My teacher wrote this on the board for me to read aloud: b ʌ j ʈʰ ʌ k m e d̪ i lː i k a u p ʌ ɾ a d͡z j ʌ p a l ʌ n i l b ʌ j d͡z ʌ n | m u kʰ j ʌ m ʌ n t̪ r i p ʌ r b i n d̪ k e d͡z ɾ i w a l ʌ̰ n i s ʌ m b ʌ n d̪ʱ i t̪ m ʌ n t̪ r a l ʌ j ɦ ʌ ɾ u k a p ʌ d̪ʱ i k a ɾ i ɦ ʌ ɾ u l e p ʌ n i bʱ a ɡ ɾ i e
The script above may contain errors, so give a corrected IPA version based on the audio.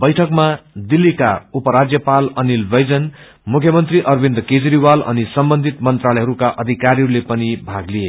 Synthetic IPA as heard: b ʌ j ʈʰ ʌ k m a d̪ i lː i k a u p ʌ ɾ a d͡z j ʌ p a l ʌ n i l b ʌ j d͡z ʌ n | m u kʰ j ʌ m ʌ n t̪ r i ʔ ʌ r b i n d̪ k e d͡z ɾ i w a l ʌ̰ n i s ʌ m b ʌ n d̪ʱ i t̪ m ʌ n t̪ r a l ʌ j ɦ ʌ ɾ u k a ʔ ʌ d̪ʱ i k a ɾ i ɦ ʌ ɾ u l e p ʌ n i bʱ a ɡ l i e